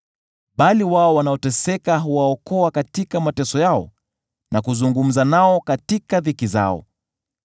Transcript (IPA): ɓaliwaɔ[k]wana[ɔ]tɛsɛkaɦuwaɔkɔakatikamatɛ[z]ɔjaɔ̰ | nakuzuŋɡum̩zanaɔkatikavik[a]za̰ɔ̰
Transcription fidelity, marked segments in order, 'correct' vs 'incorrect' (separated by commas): incorrect, correct, incorrect, incorrect